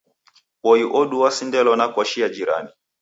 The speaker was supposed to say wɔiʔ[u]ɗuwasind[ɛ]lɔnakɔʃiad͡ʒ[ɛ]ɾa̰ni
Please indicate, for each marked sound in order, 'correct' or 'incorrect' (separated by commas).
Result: incorrect, correct, incorrect